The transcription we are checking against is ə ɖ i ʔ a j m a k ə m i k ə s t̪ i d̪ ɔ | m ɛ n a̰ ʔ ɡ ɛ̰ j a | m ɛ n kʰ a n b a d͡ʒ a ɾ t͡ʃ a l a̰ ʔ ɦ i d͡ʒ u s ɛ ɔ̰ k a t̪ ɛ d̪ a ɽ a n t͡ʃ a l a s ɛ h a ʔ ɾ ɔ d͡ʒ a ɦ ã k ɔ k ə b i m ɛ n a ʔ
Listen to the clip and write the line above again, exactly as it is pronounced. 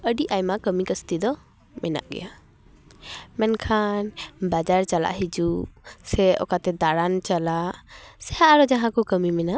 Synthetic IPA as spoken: ə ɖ i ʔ a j m a k ə m i k ə s t̪ i d̪ ɔ | m ɛ n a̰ ʔ ɡ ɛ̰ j a | m ɛ n kʰ a n b a d͡ʒ a ɾ t͡ʃ a l a̰ ʔ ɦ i d͡ʒ u s ɛ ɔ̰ k a t̪ ɛ d̪ a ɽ a n t͡ʃ a l a s ɛ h a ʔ ɾ ɔ d͡ʒ a ɦ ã k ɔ k ə m i m ɛ n a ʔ